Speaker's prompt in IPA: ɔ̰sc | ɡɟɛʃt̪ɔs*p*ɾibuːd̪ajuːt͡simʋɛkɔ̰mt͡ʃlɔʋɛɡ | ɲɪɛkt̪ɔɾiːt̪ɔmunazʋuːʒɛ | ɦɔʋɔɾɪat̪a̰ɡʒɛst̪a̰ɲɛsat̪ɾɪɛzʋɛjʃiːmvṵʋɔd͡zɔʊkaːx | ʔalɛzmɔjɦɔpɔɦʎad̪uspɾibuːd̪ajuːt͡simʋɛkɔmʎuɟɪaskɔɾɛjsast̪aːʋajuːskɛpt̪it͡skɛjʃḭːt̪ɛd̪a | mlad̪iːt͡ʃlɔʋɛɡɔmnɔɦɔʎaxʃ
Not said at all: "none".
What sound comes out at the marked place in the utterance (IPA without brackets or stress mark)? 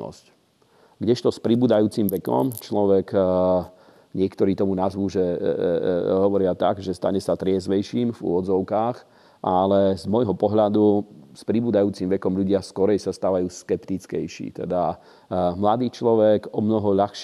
p